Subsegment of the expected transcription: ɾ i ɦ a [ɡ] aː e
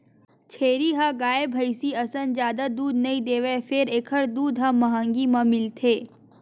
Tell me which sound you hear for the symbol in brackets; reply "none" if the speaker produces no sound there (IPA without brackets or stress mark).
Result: ɡ